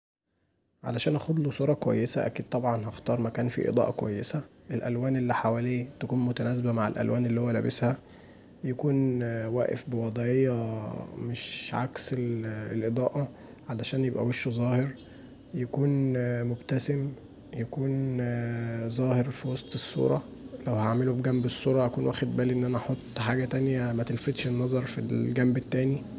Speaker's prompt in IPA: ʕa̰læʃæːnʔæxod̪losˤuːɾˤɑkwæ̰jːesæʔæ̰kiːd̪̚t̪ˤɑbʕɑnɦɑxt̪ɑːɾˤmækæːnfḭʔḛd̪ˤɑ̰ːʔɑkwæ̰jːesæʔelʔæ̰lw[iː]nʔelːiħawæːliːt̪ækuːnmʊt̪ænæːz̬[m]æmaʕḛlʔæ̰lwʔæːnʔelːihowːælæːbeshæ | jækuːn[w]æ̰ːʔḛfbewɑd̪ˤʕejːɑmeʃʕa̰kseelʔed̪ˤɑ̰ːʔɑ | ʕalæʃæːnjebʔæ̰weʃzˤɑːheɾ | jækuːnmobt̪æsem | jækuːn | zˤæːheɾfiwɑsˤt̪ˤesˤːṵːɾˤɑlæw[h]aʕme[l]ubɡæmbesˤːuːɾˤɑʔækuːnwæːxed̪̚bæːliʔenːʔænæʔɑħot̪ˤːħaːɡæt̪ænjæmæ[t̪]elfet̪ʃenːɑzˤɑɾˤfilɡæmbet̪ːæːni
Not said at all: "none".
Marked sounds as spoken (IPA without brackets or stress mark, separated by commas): æː, b, w, h, l, t̪